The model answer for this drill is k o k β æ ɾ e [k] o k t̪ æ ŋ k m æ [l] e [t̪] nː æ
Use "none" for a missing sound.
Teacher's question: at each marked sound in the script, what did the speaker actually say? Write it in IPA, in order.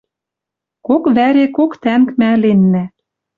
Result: k, l, none

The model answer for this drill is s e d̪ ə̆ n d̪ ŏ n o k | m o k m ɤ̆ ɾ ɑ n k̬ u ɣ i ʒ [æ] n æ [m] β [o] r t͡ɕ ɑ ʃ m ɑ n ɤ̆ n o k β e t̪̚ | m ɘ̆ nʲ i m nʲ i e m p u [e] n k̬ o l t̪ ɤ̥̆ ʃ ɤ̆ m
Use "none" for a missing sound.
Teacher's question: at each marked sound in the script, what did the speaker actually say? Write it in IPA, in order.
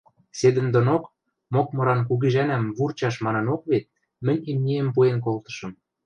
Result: æ, m, u, e

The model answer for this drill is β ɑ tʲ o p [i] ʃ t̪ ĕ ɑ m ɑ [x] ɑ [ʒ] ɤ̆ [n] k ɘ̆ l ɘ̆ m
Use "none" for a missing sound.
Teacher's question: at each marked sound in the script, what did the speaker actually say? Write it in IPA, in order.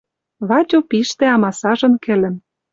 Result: i, s, ʒ, n

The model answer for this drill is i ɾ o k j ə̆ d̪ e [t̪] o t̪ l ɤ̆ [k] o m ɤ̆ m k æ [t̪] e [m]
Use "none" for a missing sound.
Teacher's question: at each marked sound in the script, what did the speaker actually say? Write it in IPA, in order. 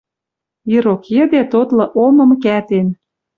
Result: t̪, ʔ, t̪, n

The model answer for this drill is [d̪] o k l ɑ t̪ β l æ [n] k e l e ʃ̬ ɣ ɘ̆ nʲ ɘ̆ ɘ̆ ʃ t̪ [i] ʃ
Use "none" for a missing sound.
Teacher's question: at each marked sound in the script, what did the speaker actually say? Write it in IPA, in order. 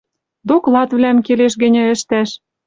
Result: d̪, m, æ

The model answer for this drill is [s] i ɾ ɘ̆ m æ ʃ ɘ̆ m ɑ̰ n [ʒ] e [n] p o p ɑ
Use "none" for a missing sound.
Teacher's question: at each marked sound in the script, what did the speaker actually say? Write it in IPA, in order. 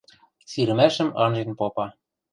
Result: s, ʒ, n

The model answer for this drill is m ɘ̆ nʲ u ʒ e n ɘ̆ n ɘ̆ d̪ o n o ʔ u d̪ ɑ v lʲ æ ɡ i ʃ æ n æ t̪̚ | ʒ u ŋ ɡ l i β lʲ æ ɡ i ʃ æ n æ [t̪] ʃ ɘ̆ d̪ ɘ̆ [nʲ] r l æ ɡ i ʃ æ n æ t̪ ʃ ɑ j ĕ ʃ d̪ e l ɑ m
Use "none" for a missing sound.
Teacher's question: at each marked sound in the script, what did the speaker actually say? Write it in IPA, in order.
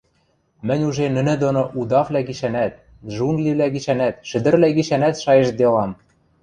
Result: t̪, none

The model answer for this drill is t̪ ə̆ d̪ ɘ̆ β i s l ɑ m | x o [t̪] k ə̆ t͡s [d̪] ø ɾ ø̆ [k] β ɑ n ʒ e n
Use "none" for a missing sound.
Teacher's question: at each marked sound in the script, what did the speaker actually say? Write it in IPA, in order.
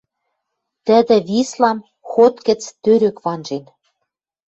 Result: t̪, t̪, k

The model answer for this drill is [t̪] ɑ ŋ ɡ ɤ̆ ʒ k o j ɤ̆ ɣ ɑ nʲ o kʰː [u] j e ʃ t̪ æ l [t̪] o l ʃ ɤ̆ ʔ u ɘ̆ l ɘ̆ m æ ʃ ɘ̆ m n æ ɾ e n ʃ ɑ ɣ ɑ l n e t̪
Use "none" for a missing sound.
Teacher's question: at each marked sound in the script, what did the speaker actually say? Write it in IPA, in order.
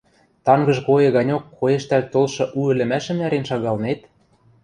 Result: t̪, o, t̪

